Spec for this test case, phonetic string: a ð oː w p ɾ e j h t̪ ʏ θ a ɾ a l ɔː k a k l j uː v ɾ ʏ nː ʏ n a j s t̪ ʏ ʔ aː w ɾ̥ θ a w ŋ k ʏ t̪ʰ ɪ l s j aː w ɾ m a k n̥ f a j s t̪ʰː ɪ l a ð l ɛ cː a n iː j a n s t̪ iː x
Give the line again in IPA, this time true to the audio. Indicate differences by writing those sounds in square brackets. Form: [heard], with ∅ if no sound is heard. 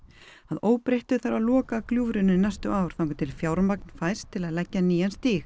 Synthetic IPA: a ð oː w p ɾ e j h t̪ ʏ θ a ɾ a l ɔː k a k l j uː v ɾ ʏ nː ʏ n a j s t̪ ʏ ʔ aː w ɾ̥ θ a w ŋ k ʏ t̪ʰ ɪ l [f] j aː w ɾ m a k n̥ f a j s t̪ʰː ɪ l a ð l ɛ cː a n iː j a n s t̪ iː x